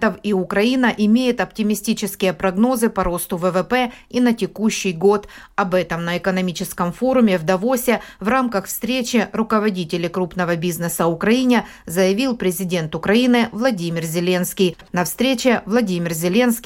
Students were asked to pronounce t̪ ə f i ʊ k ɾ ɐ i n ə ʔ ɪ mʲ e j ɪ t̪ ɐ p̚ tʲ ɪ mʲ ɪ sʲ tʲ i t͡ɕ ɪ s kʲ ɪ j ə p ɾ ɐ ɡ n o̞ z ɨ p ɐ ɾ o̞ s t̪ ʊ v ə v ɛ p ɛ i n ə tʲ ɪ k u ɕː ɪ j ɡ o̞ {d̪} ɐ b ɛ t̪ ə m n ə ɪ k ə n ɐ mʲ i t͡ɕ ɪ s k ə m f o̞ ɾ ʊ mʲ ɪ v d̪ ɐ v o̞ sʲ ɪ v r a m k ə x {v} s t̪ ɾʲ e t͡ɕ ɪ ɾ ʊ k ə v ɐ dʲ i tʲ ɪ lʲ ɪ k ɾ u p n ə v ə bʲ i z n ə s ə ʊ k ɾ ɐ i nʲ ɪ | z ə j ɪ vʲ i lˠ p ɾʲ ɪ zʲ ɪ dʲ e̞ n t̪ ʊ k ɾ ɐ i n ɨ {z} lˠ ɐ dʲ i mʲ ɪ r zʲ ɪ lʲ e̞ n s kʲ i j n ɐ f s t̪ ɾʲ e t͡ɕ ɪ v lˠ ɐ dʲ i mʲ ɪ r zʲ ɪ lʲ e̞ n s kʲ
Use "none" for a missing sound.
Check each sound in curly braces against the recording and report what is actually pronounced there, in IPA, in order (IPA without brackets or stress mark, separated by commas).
t̪, f, v